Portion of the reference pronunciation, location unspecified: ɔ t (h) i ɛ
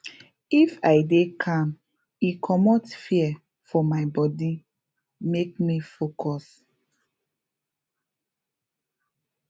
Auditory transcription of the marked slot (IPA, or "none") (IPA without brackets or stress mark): f